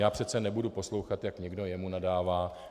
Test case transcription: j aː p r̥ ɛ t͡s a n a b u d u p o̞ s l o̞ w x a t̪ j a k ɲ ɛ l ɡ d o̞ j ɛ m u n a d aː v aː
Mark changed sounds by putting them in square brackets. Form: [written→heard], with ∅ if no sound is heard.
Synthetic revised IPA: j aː p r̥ ɛ t͡s [a→ɛ] n [a→ɛ] b u d u p o̞ s l o̞ w x a t̪ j a k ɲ ɛ [l→∅] ɡ d o̞ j ɛ m u n a d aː v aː